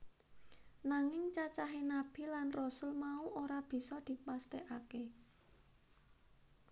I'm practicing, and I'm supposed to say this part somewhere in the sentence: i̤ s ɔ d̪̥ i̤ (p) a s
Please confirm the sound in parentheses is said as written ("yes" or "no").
yes